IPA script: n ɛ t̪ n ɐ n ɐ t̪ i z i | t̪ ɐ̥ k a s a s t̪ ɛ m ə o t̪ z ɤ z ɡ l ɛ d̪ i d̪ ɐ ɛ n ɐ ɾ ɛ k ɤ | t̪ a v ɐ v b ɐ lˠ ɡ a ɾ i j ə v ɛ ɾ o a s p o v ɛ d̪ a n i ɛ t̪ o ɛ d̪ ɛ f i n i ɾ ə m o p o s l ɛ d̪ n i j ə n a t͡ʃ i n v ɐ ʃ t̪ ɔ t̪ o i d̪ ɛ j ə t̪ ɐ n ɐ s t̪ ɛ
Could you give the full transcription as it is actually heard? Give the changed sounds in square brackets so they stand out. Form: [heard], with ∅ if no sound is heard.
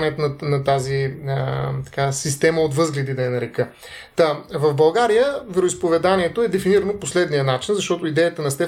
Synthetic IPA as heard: n ɛ t̪ n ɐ n ɐ t̪ [a] z i | t̪ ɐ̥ k a s [i] s t̪ ɛ m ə o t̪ [v] ɤ z ɡ l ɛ d̪ i d̪ ɐ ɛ n ɐ ɾ ɛ k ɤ | t̪ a v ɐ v b ɐ lˠ ɡ a ɾ i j ə v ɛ ɾ o [i] s p o v ɛ d̪ a n i ɛ t̪ o ɛ d̪ ɛ f i n i ɾ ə [n] o p o s l ɛ d̪ n i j ə n a t͡ʃ i n [z] ɐ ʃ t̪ ɔ t̪ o i d̪ ɛ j ə t̪ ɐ n ɐ s t̪ ɛ